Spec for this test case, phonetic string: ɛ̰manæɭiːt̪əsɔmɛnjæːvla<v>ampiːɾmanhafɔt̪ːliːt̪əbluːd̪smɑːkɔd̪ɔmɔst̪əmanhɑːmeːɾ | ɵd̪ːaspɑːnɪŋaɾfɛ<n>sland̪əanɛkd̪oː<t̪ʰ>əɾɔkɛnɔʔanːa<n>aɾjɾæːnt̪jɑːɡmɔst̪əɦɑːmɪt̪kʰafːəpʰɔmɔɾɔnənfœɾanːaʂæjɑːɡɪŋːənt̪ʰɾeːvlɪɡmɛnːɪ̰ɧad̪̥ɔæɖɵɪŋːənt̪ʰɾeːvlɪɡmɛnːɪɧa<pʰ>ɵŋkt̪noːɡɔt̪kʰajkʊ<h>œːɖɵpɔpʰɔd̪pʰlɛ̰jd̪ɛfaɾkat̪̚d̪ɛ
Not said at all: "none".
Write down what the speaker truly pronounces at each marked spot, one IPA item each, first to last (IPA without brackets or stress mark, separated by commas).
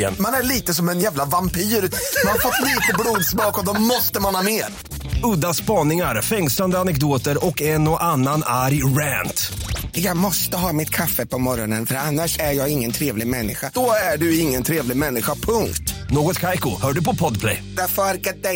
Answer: v, ŋ, t̪, n, pʰ, h